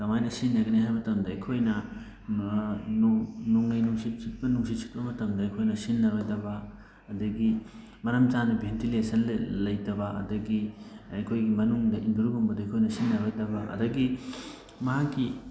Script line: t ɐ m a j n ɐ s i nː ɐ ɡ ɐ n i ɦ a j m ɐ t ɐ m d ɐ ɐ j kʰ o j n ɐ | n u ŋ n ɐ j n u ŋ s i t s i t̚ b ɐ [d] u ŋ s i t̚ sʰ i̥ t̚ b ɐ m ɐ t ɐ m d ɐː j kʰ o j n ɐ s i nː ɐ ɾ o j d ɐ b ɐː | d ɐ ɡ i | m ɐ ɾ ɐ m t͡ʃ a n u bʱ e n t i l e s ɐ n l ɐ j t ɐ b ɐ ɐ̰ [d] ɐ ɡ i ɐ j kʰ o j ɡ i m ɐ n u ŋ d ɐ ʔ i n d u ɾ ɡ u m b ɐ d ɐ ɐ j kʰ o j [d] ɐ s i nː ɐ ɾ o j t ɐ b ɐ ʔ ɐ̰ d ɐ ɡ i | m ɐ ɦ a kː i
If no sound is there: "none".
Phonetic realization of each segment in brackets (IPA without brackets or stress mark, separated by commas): n, d, n